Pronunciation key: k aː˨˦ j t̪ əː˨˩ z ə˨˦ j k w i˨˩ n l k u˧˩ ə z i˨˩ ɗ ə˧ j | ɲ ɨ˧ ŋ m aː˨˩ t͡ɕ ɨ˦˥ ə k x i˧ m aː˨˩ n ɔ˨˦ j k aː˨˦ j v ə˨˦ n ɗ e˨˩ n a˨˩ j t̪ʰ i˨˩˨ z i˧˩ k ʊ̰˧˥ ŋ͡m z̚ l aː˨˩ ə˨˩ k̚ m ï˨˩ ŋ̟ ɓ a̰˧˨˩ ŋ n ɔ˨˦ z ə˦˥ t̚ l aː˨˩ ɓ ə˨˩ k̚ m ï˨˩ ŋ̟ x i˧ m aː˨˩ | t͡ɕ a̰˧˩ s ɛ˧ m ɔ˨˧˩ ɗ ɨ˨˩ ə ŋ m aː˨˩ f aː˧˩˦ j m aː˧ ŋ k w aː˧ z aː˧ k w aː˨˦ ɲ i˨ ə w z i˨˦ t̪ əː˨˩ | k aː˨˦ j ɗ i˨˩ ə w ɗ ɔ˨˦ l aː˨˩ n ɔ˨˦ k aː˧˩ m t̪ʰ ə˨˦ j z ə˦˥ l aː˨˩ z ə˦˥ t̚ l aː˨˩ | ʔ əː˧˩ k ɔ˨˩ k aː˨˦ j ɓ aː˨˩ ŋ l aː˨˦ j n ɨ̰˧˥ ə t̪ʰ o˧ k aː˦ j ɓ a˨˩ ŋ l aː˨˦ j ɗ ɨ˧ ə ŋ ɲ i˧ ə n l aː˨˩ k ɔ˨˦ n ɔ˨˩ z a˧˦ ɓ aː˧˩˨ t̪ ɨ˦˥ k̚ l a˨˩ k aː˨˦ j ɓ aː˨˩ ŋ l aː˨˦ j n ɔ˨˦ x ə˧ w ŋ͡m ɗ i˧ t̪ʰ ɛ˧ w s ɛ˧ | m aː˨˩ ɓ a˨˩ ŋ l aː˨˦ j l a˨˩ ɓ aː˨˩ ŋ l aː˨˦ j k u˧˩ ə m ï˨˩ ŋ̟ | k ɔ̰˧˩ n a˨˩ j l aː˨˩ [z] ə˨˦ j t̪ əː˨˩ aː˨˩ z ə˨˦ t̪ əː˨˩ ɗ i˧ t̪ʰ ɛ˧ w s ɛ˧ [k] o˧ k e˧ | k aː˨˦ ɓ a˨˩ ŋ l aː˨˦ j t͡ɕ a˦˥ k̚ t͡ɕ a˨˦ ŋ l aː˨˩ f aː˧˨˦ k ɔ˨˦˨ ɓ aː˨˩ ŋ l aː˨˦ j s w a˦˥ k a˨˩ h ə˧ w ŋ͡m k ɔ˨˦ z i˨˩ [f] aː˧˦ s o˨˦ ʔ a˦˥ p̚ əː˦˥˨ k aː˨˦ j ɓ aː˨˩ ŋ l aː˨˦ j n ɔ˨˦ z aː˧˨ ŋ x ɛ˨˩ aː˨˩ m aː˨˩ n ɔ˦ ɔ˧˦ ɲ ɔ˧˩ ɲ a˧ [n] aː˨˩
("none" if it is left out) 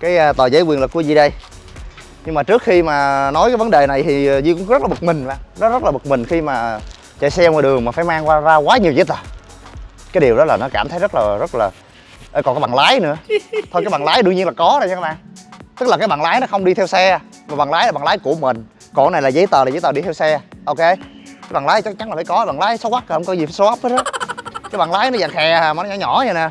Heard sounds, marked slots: z, ʔ, f, n

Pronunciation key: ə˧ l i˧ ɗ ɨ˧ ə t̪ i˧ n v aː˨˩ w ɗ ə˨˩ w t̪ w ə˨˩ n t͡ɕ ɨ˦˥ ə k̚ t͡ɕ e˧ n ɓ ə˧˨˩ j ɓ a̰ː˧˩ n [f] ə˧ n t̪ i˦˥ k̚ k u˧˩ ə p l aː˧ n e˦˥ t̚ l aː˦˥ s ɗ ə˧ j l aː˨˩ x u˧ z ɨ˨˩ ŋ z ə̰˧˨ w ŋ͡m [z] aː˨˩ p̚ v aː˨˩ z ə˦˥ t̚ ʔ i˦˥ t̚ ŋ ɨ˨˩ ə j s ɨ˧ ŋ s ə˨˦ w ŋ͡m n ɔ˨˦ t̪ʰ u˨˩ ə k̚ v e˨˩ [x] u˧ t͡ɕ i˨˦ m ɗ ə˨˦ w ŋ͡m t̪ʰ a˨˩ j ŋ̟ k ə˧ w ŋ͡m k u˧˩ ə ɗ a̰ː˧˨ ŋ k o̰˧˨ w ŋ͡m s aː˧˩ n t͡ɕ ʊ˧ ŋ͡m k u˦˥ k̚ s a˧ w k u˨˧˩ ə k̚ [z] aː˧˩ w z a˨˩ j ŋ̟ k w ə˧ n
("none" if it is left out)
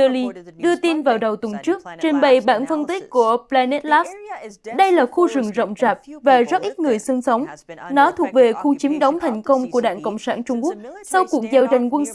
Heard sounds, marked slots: f, z, x, z

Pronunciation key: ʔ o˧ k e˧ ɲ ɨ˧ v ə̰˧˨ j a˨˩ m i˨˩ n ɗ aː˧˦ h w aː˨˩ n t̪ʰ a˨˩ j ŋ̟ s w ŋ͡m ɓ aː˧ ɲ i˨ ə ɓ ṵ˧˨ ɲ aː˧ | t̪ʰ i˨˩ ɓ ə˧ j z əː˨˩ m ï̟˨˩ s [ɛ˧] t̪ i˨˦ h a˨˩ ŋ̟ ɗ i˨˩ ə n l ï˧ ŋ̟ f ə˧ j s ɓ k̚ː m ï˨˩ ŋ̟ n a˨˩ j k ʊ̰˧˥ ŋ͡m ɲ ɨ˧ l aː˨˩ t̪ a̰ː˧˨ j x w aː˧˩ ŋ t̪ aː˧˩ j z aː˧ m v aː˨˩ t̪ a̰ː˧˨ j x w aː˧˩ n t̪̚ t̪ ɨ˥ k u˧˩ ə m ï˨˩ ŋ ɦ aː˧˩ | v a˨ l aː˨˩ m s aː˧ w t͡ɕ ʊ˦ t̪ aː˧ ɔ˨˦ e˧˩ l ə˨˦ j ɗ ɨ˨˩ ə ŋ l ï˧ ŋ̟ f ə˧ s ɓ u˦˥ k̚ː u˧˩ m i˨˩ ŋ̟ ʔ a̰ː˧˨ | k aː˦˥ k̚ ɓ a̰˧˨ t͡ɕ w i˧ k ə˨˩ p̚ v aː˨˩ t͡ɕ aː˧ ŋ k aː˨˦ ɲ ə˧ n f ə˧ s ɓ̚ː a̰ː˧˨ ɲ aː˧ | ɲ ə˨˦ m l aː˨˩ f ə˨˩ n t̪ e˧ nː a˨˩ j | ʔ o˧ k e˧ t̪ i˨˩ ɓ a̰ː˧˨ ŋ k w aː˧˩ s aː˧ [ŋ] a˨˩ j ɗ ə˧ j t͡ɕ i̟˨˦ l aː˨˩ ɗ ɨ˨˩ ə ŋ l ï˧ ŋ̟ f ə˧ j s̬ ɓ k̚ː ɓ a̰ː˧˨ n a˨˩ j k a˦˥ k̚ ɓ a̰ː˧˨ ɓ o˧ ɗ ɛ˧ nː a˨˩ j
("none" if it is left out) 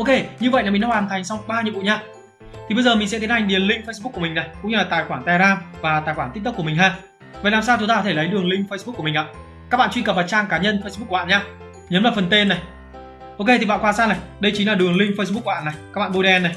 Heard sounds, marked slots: ɛ˧˥, n

